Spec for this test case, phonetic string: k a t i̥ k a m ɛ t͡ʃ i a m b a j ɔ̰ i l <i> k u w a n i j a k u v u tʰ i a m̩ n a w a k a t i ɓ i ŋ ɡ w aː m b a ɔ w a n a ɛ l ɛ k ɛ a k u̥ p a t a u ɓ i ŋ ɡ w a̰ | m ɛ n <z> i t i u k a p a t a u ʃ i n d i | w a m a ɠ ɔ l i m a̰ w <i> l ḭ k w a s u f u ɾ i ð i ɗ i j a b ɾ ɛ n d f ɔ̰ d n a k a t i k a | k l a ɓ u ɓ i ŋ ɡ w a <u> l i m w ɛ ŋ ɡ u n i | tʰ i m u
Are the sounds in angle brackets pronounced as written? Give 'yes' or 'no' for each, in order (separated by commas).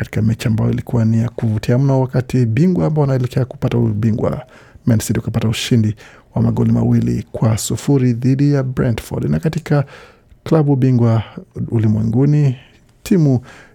yes, no, yes, yes